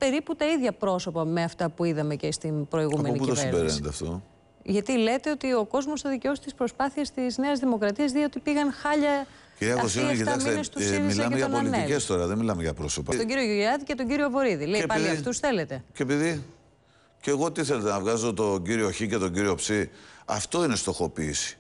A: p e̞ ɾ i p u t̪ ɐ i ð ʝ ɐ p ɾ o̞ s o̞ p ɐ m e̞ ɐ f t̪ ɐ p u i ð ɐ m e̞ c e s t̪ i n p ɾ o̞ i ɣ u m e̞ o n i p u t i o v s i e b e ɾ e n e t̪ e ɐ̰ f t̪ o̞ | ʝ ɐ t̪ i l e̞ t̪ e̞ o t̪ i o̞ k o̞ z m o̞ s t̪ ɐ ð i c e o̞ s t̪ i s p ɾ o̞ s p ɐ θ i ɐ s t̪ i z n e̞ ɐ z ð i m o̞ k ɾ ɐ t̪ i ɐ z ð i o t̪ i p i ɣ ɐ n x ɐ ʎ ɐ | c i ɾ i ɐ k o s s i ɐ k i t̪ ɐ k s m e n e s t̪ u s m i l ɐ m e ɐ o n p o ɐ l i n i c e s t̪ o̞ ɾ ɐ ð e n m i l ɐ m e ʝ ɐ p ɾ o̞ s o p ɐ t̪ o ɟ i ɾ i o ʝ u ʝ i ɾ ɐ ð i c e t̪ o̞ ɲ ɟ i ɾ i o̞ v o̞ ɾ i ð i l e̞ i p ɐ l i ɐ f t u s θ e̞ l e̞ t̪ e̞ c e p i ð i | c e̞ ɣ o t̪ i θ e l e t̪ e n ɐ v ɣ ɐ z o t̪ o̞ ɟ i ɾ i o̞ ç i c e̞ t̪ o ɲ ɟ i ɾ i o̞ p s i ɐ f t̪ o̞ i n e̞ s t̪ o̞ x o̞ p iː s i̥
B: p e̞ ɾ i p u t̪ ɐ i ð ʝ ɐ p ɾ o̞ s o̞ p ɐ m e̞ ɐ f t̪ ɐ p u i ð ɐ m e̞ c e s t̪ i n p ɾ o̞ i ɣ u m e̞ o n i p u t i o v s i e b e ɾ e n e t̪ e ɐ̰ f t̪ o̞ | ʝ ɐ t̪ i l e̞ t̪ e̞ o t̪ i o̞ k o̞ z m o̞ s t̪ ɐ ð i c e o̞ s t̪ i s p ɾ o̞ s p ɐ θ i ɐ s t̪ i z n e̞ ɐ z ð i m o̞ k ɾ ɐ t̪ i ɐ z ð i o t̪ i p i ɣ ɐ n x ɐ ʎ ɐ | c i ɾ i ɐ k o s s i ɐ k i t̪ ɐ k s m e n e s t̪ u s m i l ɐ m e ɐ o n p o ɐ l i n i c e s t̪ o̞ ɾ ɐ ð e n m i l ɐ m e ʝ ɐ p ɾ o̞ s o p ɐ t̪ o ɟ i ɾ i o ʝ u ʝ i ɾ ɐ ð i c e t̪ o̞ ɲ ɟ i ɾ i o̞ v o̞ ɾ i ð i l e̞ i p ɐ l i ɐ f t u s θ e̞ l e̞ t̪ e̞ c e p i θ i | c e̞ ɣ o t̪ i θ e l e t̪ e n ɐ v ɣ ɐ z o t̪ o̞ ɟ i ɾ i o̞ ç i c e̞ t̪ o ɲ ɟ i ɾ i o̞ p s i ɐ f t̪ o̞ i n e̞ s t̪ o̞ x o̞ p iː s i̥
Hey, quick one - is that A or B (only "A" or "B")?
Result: A